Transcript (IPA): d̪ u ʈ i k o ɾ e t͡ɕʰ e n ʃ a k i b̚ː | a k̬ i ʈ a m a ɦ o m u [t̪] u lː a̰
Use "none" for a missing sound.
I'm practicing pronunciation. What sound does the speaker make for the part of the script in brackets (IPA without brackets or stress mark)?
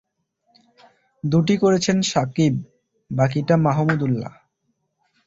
d̪